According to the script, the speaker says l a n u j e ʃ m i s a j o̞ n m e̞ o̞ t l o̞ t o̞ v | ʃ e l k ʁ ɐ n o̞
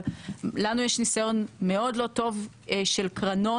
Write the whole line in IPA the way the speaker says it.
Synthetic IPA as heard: l a n u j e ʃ n i s a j o̞ n m e̞ o̞ d l o̞ t o̞ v | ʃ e l k ʁ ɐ n o̞